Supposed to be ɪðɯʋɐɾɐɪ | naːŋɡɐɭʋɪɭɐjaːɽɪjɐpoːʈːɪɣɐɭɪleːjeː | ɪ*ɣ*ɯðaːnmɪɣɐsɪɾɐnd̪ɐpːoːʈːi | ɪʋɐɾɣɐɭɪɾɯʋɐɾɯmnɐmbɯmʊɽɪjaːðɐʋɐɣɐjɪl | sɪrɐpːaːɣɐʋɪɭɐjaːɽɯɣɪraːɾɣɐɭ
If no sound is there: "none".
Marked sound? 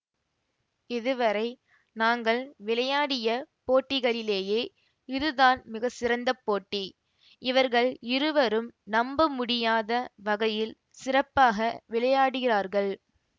ð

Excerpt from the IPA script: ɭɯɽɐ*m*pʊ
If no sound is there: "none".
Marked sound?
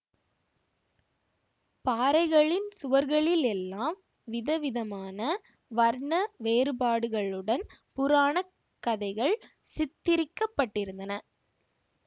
n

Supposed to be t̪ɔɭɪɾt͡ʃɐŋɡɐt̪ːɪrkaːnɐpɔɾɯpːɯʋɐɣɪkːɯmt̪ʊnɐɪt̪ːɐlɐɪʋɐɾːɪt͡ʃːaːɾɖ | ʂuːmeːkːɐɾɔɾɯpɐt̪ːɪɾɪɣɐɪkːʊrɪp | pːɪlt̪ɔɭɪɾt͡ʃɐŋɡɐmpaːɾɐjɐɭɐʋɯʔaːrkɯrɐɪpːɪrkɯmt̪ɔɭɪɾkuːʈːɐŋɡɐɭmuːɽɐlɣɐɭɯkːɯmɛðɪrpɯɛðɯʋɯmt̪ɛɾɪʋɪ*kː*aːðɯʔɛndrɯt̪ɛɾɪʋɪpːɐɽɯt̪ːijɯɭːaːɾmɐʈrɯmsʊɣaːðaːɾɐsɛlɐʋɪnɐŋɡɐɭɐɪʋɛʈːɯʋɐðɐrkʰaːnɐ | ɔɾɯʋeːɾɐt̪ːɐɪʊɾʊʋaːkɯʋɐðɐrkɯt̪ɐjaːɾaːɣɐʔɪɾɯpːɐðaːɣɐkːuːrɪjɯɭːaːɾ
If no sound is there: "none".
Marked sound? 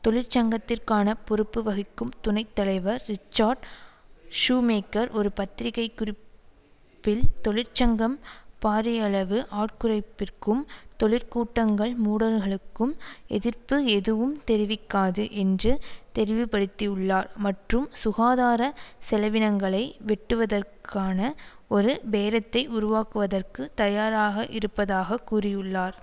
kː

